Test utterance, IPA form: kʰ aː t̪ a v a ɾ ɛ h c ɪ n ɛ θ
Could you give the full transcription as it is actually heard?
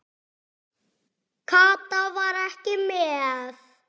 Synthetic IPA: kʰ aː t̪ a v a ɾ ɛ h c ɪ m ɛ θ